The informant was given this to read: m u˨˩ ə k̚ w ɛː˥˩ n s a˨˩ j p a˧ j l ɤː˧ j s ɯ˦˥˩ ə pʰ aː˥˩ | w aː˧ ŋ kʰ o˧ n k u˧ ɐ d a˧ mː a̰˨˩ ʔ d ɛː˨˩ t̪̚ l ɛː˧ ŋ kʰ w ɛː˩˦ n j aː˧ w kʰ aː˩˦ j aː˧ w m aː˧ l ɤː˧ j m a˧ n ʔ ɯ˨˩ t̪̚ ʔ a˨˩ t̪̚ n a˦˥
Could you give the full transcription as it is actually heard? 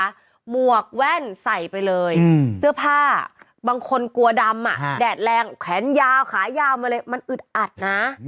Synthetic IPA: m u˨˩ ə k̚ w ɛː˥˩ n s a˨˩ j p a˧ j l ɤː˧ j s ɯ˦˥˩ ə pʰ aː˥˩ | b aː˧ ŋ kʰ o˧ n k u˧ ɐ d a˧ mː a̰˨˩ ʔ d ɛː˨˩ t̪̚ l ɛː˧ ŋ kʰ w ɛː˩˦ n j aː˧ w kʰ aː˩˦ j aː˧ w m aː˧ l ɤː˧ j m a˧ n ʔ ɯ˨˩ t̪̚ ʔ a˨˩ t̪̚ n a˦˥